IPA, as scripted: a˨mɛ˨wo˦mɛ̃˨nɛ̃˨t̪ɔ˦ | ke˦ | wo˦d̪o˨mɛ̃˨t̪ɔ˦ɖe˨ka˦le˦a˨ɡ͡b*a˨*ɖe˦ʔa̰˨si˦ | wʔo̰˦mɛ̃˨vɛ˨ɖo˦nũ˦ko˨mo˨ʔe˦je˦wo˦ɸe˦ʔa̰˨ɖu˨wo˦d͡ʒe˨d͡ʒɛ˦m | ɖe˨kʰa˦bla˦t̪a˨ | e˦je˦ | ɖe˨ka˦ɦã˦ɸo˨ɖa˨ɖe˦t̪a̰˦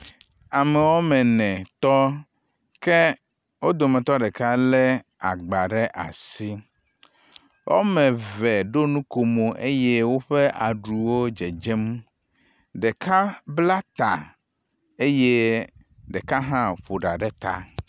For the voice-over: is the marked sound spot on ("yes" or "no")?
yes